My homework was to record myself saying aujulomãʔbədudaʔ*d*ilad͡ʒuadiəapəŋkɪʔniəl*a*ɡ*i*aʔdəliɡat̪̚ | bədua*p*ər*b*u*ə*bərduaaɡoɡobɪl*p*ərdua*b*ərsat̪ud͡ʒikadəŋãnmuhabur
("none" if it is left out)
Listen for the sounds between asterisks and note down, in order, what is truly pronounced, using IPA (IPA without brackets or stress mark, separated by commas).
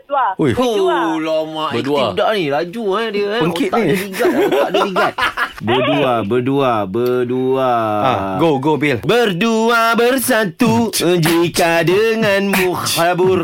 n, i, a, b, d, a, b, b